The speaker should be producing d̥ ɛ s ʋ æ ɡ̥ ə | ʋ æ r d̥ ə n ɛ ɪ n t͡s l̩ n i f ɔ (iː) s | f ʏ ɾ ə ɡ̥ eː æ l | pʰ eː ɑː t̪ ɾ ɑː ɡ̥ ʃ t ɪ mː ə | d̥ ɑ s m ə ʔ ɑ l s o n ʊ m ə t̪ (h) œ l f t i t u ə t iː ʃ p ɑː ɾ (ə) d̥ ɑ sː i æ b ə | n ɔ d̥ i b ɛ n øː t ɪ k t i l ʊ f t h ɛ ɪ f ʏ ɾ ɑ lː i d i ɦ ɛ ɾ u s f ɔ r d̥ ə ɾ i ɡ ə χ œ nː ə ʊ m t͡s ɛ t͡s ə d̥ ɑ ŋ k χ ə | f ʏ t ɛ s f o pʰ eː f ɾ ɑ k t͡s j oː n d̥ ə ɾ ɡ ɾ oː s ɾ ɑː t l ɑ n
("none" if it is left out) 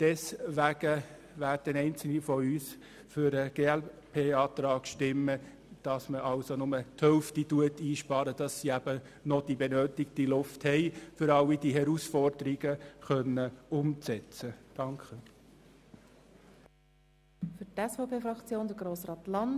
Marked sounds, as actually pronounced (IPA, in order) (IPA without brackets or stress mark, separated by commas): yː, h, ə